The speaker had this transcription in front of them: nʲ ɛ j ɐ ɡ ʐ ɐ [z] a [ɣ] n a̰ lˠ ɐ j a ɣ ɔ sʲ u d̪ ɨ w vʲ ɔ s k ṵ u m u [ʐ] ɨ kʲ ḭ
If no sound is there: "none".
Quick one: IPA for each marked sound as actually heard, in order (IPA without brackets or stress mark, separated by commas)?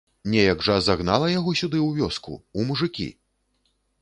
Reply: z, ɣ, ʐ